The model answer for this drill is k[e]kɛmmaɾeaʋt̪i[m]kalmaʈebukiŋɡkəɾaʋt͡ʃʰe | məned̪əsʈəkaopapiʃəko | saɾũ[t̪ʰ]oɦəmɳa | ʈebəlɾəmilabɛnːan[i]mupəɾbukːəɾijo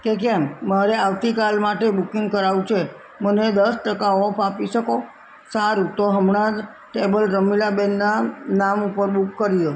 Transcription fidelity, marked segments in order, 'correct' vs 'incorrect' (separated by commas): correct, incorrect, incorrect, incorrect